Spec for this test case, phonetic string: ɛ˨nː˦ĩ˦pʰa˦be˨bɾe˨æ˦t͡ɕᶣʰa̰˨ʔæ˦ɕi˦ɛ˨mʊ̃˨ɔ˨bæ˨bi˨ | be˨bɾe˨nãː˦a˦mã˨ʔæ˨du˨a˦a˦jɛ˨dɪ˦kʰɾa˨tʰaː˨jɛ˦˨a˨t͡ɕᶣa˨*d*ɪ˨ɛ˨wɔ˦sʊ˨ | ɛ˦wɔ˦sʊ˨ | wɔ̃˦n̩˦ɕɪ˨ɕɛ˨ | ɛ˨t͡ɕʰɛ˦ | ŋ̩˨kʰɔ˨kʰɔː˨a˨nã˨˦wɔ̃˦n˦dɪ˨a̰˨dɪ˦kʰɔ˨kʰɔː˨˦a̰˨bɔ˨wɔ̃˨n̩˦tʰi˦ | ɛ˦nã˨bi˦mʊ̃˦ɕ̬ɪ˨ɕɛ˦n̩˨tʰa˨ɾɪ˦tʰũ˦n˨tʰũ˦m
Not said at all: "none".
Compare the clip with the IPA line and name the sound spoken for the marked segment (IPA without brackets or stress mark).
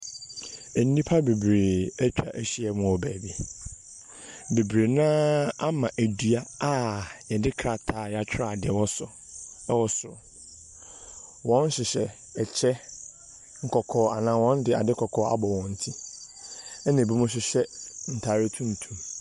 d